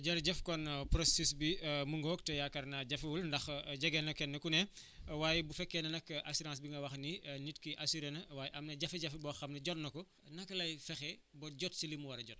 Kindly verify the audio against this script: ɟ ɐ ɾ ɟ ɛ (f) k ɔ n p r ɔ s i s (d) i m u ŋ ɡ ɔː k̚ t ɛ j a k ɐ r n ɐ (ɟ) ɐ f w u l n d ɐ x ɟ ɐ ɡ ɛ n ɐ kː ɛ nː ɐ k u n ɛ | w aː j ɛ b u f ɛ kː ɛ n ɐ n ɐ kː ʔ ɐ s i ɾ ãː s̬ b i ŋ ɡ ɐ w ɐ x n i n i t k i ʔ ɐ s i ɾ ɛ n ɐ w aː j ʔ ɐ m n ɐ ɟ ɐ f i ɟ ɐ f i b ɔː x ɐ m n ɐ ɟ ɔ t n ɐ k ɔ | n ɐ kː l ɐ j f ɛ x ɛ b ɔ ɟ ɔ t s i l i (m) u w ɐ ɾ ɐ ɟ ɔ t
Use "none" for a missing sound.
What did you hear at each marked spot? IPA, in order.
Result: f, b, ɟ, m

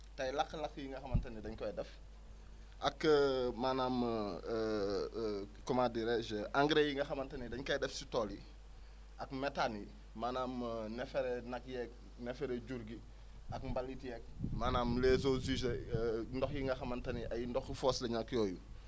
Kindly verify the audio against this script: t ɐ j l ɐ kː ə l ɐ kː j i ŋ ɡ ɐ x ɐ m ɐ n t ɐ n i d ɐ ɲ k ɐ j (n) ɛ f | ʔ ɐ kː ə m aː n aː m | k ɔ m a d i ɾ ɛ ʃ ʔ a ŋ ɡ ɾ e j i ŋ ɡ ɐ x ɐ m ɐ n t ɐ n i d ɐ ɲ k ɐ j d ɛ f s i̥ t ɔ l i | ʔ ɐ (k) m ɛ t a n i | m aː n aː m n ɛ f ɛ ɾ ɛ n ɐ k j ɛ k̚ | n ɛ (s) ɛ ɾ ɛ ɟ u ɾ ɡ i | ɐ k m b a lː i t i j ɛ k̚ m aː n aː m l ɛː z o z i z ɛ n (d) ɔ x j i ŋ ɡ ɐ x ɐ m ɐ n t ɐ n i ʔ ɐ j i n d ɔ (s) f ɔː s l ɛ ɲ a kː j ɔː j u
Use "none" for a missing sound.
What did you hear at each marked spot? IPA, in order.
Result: d, k, f, d, x

